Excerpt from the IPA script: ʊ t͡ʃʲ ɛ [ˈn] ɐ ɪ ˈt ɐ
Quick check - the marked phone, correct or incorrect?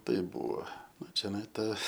correct